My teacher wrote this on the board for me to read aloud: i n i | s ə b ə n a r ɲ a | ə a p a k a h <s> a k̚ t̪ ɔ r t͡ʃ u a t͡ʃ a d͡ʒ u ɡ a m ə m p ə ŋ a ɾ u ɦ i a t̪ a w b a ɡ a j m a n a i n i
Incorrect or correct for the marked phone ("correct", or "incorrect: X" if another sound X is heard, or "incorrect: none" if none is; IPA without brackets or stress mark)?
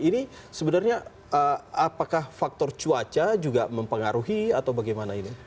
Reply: incorrect: f